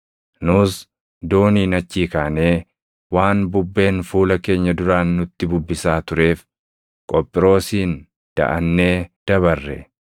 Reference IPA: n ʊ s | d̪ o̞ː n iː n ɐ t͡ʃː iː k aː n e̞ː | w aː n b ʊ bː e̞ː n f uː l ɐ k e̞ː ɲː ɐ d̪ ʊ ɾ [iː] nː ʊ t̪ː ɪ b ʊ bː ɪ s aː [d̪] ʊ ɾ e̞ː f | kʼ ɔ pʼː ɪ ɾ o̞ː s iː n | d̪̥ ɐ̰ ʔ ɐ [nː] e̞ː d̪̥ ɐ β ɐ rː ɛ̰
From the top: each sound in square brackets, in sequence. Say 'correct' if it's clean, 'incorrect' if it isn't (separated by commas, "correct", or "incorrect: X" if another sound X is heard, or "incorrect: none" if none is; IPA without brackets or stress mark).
incorrect: aː, incorrect: t̪, correct